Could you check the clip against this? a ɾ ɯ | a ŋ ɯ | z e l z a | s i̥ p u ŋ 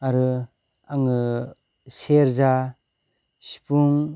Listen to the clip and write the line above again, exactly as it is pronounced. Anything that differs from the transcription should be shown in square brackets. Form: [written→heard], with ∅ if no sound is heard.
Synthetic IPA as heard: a ɾ ɯ | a ŋ ɯ | [z→s] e [l→ɾ] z a | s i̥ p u ŋ